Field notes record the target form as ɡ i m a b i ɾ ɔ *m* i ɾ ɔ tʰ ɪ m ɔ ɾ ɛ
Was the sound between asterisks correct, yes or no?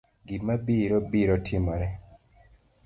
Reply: no